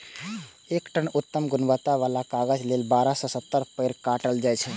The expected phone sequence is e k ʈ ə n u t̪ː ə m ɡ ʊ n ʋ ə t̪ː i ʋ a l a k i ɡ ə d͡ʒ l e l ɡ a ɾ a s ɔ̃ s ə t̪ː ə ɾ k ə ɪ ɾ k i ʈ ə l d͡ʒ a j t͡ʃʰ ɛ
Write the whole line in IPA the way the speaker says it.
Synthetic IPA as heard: e k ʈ ə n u t̪ː ə m ɡ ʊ n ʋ ə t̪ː a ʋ a l a k a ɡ ə d͡ʒ l e l b a ɾ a s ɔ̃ s ə t̪ː ə ɾ p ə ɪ ɾ k a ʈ ə l d͡ʒ a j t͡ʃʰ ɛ